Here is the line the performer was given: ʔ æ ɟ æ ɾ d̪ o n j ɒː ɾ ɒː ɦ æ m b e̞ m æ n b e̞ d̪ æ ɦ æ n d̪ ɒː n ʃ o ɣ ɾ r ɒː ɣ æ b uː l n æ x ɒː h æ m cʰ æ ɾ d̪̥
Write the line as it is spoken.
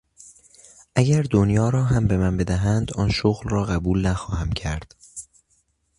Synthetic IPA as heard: ʔ æ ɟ æ ɾ d̪ o n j ɒː ɾ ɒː ɦ æ m b e̞ m æ n b e̞ d̪ æ ɦ æ n d̪ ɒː n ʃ o ɣ l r ɒː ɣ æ b uː l n æ x ɒː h æ m cʰ æ ɾ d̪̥